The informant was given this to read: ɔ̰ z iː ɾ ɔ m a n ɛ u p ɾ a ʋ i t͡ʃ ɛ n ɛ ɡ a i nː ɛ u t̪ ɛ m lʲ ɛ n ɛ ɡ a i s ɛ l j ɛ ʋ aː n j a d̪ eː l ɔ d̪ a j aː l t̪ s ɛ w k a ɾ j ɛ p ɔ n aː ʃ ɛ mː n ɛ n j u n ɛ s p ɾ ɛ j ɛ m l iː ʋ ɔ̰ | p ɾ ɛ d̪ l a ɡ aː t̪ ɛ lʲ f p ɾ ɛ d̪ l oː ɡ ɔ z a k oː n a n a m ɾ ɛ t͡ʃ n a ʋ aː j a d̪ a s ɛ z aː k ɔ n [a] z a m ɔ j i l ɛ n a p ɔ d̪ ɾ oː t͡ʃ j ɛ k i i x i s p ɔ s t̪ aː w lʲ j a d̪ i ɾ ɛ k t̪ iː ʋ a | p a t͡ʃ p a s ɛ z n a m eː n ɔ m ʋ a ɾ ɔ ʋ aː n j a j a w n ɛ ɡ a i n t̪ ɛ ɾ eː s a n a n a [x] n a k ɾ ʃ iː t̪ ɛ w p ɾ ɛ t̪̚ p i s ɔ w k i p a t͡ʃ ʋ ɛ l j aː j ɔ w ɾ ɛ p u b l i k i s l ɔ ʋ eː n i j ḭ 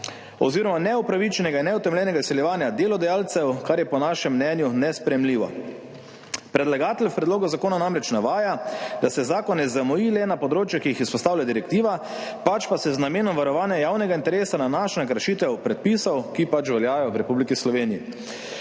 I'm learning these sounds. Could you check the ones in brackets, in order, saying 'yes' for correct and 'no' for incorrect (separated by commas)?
no, no